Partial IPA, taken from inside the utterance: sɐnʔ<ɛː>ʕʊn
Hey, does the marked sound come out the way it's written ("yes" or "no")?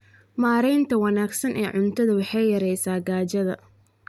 yes